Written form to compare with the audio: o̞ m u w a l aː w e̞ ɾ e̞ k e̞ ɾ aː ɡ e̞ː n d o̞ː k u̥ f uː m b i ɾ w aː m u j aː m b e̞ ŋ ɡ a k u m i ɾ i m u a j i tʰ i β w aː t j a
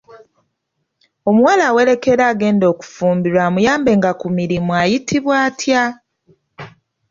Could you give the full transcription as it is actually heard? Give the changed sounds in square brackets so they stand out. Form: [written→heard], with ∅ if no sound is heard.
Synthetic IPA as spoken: o̞ m u w a l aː w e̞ ɾ e̞ k e̞ ɾ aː ɡ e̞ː n d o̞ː k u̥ f uː m b i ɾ w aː m u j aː m b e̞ ŋ ɡ a k u m i ɾ i m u a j i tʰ i β w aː t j a